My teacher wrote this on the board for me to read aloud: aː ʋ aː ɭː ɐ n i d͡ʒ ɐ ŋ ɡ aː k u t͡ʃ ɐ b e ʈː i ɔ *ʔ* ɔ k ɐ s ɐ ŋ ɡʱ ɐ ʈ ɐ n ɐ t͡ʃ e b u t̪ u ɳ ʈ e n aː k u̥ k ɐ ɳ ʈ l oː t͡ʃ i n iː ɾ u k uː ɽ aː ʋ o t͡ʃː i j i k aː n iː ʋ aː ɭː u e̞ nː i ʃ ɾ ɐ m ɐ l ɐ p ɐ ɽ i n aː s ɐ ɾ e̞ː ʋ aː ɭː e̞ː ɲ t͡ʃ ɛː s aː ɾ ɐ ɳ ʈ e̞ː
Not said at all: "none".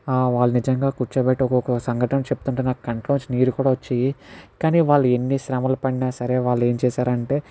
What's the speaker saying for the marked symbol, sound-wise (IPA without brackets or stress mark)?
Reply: k